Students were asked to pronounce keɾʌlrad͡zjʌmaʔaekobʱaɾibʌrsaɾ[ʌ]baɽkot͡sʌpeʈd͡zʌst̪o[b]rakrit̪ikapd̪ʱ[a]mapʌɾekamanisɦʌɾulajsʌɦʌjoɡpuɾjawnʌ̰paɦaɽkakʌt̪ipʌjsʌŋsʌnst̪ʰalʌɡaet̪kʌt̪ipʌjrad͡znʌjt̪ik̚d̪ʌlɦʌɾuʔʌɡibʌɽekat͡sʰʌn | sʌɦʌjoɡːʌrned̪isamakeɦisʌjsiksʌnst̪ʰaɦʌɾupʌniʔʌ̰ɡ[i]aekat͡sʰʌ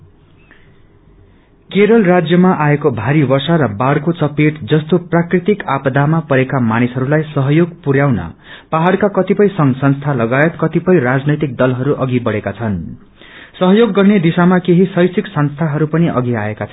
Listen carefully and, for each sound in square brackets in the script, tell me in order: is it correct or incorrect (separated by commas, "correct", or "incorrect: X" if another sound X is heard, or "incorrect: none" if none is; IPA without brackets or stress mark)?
correct, incorrect: p, correct, correct